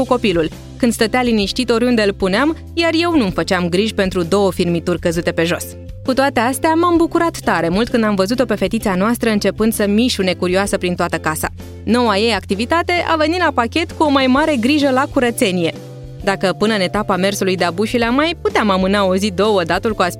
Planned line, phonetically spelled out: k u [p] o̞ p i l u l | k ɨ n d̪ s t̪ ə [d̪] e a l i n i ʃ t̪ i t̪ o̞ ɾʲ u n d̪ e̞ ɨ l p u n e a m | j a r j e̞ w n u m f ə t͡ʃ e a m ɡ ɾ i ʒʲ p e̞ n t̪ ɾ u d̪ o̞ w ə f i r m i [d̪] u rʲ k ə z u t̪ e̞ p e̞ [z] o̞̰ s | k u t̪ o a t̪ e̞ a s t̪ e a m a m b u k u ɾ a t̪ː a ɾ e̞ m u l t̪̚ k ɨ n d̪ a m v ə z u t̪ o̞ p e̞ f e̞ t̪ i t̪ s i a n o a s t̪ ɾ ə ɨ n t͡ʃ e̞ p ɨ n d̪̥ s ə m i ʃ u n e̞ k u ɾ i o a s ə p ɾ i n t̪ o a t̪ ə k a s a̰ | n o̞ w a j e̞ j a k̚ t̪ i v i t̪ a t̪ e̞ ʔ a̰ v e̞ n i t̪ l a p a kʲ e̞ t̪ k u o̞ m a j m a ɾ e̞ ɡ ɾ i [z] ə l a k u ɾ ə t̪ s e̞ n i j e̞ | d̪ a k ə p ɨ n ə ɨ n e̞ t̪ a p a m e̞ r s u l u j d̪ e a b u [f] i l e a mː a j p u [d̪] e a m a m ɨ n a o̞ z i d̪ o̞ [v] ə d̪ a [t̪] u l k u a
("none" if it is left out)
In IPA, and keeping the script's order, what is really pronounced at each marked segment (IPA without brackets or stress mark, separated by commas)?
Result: k, t̪, t̪, ʒ, ʒ, ʃ, t̪, w, t̪